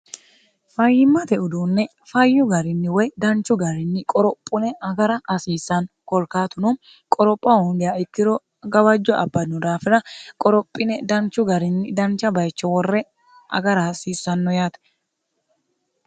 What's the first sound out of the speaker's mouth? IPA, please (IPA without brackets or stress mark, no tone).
f